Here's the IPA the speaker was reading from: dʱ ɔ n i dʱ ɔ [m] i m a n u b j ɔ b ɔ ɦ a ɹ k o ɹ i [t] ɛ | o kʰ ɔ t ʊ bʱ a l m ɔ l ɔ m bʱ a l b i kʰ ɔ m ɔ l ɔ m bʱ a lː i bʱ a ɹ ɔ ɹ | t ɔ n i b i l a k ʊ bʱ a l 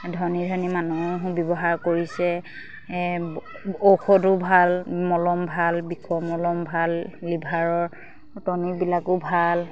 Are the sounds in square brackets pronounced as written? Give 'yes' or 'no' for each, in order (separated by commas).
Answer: no, no